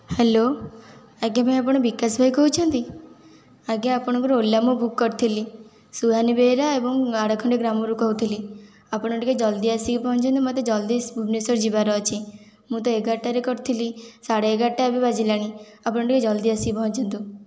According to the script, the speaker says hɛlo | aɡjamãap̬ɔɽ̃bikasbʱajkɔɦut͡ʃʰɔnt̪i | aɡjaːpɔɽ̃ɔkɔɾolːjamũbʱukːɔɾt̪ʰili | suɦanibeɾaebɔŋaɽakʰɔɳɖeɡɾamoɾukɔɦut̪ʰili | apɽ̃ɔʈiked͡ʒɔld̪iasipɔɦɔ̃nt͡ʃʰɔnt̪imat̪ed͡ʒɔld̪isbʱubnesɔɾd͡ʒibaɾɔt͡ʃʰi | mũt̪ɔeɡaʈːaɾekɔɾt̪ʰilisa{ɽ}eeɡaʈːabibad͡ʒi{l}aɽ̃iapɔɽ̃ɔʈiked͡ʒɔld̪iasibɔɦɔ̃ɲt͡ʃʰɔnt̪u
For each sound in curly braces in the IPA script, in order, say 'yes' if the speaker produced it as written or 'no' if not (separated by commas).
yes, yes